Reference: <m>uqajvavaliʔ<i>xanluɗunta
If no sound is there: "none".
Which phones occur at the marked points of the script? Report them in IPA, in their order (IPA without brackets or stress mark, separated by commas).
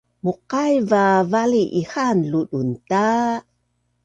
m, i